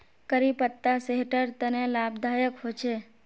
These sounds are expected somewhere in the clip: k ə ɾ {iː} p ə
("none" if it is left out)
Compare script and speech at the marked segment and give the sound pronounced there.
i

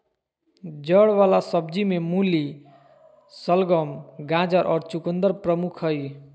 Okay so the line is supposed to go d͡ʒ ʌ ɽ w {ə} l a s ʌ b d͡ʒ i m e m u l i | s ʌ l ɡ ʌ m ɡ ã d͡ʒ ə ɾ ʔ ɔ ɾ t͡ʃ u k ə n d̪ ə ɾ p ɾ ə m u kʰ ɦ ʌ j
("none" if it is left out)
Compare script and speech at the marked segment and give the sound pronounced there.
a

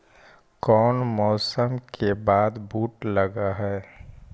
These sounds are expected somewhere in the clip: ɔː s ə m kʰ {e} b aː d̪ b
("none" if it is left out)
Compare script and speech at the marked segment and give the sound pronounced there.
e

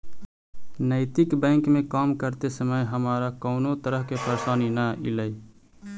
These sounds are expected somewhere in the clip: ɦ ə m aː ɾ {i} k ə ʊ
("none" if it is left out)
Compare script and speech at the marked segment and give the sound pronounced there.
a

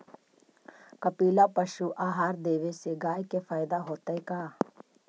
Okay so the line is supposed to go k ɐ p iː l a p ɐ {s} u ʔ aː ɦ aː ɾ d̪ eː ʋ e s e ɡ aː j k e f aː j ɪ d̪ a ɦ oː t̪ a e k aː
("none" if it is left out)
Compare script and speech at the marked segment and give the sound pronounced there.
ʃ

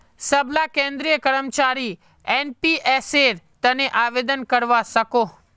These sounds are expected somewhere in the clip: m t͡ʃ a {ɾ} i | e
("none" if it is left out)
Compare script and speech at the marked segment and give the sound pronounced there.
ɾ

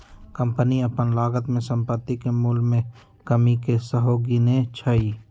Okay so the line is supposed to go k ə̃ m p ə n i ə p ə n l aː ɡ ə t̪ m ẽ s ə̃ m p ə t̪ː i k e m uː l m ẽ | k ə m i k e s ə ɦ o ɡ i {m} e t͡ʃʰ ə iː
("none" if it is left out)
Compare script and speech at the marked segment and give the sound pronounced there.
n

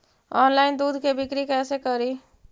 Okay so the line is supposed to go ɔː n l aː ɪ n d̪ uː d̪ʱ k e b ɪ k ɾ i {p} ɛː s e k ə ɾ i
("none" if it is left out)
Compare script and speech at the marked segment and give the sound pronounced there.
k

